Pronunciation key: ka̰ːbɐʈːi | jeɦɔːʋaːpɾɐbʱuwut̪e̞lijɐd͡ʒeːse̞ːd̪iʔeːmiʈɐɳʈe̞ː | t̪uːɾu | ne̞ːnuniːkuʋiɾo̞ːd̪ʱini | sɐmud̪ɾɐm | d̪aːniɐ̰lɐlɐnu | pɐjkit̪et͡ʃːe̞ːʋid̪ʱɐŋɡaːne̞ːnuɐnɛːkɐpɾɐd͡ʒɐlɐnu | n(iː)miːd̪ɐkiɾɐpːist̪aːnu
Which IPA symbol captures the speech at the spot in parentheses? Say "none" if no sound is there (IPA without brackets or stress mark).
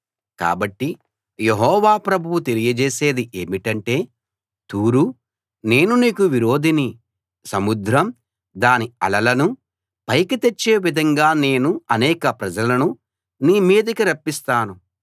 iː